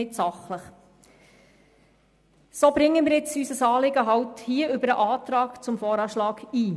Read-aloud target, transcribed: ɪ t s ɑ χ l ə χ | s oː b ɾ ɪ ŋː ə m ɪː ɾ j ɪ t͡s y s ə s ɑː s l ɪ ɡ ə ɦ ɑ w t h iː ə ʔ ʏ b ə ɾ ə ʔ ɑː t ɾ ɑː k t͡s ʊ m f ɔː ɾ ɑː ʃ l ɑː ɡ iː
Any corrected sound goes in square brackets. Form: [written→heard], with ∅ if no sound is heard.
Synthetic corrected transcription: ɪ t s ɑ χ l ə χ | s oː b ɾ ɪ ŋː ə m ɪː ɾ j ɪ t͡s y s ə s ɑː [s→∅] l ɪ ɡ ə ɦ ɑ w t h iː ə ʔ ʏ b ə ɾ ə ʔ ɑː t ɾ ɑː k t͡s ʊ m f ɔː ɾ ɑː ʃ l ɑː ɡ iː